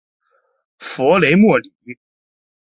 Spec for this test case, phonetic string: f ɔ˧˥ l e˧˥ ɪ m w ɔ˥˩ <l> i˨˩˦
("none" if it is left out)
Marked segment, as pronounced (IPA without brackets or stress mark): l